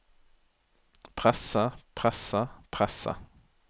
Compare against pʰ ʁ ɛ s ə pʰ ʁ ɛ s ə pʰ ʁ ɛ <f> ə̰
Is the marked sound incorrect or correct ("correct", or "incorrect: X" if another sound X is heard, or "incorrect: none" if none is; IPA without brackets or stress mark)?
incorrect: s